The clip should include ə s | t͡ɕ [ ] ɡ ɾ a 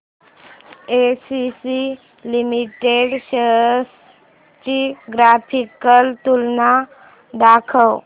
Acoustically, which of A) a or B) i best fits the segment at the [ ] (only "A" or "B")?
B